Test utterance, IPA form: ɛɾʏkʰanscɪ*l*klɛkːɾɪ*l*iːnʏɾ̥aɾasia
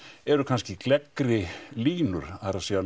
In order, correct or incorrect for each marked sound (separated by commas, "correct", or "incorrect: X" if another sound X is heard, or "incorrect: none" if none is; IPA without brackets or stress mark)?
incorrect: none, correct